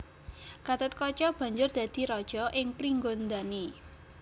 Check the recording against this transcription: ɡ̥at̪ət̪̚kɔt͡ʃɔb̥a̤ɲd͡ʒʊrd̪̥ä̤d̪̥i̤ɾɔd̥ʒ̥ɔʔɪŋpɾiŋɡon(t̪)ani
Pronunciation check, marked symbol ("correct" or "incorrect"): incorrect